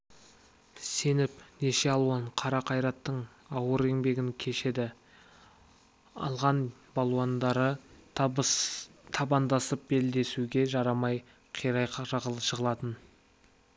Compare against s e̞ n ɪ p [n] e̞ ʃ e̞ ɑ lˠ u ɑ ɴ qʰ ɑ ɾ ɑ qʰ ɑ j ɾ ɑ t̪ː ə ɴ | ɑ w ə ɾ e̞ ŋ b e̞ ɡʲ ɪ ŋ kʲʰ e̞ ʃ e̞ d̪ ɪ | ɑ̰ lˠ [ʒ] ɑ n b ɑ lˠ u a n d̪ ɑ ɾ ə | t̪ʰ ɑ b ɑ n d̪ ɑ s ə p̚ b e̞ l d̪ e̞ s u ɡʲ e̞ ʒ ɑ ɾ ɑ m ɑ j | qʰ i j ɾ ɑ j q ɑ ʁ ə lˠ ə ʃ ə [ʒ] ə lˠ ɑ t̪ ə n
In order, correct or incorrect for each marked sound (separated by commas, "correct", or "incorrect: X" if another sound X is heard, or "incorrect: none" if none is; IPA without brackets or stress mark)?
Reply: correct, incorrect: ʁ, incorrect: ʁ